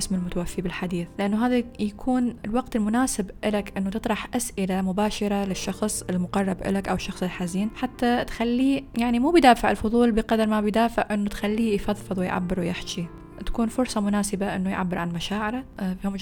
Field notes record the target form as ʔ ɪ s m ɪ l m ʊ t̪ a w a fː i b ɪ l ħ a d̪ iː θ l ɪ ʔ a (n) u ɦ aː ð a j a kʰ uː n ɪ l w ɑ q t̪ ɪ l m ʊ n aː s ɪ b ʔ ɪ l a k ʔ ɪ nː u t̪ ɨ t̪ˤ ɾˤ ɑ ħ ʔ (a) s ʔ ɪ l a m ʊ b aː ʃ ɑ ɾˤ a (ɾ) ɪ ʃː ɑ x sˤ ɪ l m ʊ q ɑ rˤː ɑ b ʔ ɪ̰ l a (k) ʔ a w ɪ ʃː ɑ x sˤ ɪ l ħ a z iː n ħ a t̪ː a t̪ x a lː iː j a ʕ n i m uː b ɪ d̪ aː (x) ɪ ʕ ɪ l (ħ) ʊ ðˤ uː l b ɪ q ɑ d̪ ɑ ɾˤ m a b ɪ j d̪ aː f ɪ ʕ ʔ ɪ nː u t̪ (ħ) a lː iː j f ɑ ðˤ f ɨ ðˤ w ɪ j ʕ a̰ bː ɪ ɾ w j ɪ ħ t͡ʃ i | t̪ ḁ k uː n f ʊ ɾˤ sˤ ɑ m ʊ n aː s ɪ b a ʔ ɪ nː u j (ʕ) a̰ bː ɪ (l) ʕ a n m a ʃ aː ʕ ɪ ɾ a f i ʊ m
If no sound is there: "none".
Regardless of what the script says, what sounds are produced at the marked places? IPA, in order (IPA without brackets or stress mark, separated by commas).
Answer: nː, a, l, k, f, f, x, ʕ, ɾ